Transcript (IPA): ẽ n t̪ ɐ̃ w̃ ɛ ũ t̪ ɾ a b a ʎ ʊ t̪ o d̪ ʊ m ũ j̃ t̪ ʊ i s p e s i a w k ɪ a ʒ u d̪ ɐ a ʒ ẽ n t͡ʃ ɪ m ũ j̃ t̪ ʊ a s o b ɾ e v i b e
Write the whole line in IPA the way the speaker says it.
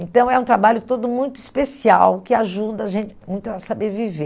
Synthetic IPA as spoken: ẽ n t̪ ɐ̃ w̃ ɛ ũ t̪ ɾ a b a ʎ ʊ t̪ o d̪ ʊ m ũ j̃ t̪ ʊ i s p e s i a w k ɪ a ʒ u d̪ ɐ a ʒ ẽ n t͡ʃ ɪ m ũ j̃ t̪ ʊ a s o b ɾ e v i v e